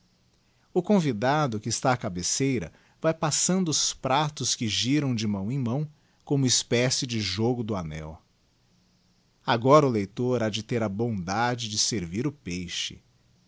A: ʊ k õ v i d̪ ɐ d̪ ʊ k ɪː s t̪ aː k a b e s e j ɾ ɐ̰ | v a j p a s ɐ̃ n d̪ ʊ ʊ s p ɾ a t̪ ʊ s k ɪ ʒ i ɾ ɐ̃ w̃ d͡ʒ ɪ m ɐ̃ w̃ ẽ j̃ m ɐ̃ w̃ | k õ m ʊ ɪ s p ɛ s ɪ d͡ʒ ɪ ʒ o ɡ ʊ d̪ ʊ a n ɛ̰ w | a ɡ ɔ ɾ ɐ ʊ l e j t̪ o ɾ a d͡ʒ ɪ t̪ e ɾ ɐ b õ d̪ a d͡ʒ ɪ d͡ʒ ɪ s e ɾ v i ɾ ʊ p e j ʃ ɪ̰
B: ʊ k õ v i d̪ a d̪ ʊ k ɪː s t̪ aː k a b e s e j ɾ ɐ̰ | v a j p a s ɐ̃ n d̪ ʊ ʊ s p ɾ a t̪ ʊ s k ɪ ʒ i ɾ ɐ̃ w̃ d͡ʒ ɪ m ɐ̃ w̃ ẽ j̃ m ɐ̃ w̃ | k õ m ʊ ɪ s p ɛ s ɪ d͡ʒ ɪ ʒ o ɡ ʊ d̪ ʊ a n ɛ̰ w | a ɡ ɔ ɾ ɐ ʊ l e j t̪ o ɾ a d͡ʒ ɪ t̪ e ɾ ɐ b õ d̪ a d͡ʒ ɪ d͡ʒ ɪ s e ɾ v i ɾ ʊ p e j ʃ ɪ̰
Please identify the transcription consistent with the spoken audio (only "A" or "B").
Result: B